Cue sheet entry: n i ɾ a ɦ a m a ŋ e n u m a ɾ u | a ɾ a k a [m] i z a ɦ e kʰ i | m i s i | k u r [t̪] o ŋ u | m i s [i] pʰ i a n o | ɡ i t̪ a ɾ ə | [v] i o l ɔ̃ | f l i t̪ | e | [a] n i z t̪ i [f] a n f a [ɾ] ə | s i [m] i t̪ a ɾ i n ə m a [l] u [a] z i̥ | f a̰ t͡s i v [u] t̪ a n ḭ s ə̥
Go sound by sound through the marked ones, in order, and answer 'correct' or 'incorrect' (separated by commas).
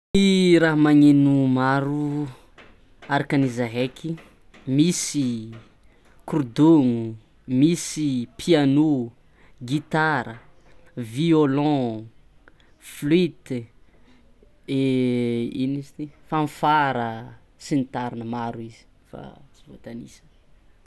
incorrect, incorrect, correct, correct, incorrect, correct, correct, incorrect, incorrect, incorrect, incorrect